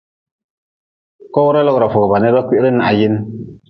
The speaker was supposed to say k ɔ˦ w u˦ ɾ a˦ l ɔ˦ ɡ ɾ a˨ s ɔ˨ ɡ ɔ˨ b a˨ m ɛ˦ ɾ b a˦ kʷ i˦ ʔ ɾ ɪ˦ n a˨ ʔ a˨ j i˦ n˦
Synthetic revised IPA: k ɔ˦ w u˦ ɾ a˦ l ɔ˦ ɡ ɾ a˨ f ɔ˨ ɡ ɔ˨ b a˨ n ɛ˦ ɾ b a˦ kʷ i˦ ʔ ɾ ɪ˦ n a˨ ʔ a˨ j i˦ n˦

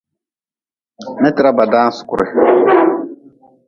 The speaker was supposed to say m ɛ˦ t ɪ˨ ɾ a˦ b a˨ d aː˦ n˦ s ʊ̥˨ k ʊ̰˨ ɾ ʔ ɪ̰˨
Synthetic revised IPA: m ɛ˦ t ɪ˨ ɾ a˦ b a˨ d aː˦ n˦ s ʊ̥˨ k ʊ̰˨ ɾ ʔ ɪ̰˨

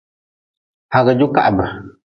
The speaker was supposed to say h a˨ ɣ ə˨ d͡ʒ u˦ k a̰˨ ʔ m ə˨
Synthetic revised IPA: h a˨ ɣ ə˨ d͡ʒ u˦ k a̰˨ ʔ b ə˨

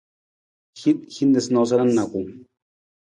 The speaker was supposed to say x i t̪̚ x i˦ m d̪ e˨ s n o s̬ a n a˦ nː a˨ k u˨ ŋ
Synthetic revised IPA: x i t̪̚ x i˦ n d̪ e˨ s n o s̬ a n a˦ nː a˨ k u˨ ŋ

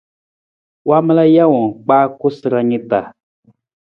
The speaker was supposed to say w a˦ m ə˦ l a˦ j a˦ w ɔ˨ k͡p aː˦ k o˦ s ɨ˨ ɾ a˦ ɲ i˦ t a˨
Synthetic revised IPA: w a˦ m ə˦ l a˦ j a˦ w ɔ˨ k͡p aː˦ k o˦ s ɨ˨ ɾ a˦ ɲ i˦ t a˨

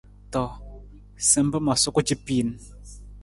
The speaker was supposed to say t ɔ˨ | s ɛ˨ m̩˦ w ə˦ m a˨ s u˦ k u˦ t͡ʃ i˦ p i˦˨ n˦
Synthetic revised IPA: t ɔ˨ | s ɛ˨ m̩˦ b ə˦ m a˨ s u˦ k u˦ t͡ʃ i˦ p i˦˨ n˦

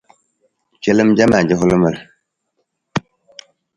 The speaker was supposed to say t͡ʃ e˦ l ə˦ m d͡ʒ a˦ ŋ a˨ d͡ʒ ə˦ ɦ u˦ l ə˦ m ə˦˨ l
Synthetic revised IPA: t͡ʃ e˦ l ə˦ m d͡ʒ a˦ m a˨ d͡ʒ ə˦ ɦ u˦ l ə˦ m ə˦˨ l

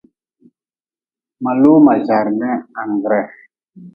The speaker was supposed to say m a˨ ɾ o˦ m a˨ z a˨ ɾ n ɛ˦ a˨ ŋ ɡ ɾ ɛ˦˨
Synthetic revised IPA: m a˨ l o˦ m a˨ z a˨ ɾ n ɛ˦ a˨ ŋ ɡ ɾ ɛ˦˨

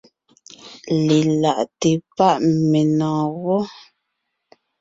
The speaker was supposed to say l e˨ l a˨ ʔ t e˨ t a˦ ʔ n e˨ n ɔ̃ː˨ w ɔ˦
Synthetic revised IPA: l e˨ l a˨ ʔ t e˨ p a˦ ʔ m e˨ n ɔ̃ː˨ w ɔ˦

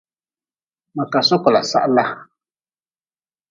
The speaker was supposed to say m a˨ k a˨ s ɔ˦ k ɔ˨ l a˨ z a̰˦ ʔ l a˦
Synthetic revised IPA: m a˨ k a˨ s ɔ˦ k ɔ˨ l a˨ s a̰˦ ʔ l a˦

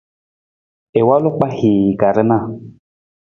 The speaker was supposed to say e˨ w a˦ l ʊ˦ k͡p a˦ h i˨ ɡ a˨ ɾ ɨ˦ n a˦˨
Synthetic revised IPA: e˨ w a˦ l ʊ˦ k͡p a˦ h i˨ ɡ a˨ ɾ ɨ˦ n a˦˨

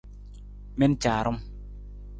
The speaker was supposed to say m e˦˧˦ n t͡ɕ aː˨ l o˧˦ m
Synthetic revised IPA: m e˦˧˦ n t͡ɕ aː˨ ɾ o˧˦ m

